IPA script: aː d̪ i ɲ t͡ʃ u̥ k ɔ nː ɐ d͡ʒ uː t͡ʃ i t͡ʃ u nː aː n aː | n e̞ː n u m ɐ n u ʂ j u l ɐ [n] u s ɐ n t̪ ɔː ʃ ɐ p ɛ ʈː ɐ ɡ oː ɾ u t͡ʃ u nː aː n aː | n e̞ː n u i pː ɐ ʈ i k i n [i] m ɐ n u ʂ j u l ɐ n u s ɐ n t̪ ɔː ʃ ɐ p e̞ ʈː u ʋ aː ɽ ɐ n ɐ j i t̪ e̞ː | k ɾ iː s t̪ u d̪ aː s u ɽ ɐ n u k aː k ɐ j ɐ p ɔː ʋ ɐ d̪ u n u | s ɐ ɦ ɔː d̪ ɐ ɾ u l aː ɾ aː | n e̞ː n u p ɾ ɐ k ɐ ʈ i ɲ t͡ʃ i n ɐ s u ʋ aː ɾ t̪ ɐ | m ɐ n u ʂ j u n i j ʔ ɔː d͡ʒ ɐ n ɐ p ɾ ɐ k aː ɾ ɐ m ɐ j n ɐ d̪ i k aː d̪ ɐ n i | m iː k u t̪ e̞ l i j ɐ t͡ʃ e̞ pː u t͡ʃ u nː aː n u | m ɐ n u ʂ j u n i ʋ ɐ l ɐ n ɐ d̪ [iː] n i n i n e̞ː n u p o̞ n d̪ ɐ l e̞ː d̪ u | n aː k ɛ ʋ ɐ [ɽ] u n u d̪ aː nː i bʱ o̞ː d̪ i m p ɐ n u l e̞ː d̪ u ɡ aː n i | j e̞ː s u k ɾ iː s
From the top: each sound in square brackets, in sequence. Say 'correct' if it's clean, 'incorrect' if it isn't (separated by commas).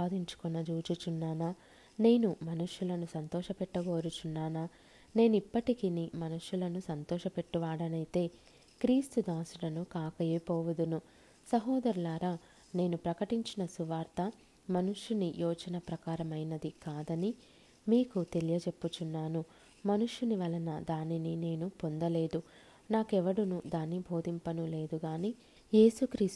correct, correct, incorrect, correct